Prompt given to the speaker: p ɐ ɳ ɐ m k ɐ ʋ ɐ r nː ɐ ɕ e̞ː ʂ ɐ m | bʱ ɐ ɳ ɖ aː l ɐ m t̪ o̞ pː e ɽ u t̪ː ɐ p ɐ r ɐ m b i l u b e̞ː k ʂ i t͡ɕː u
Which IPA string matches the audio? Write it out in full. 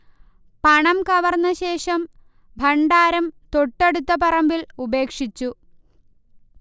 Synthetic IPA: p ɐ ɳ ɐ m k ɐ ʋ ɐ r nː ɐ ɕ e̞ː ʂ ɐ m | bʱ ɐ ɳ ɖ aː ɾ ɐ m t̪ o̞ ʈː e ɽ u t̪ː ɐ p ɐ r ɐ m b i l u b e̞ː k ʂ i t͡ɕː u